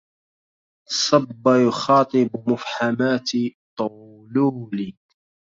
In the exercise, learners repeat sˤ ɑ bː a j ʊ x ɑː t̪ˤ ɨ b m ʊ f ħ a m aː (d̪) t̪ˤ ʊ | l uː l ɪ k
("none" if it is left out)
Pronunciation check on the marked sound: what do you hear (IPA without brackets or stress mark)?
t̪